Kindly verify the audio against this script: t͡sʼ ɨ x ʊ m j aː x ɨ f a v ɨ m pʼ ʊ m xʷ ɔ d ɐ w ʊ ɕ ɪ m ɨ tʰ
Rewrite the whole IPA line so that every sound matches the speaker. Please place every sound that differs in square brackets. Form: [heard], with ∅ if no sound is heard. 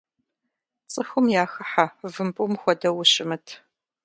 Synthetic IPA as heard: t͡sʼ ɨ x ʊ m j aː x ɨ [ħ] a v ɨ m pʼ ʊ m xʷ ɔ d ɐ w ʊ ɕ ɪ m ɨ tʰ